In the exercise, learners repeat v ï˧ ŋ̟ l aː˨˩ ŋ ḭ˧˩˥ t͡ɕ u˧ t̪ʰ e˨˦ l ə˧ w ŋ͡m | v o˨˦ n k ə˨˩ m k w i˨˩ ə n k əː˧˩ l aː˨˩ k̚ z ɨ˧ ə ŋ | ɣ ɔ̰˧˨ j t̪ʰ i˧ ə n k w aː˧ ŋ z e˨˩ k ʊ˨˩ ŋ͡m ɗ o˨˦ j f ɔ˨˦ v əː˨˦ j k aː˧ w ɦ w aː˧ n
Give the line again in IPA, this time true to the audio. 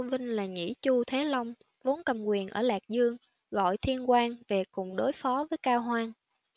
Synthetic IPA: v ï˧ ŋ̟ l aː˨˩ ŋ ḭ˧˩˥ t͡ɕ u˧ t̪ʰ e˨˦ l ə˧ w ŋ͡m | v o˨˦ n k ə˨˩ m k w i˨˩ ə n ʔ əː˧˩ l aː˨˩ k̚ z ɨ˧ ə ŋ | ɣ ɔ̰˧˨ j t̪ʰ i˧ ə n k w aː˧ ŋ v e˨˩ k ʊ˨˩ ŋ͡m ɗ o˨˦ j f ɔ˨˦ v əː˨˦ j k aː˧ w ɦ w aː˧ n